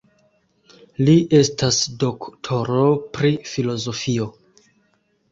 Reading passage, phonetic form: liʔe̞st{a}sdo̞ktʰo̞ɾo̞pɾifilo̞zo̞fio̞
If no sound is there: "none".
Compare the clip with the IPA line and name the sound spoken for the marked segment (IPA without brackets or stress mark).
a